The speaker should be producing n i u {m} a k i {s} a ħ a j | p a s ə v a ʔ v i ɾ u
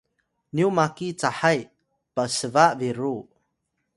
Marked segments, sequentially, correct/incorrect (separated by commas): correct, incorrect